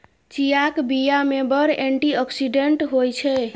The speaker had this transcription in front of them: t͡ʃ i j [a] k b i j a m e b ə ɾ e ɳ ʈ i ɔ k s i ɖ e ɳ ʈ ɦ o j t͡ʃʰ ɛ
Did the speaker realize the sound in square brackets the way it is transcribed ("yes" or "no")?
yes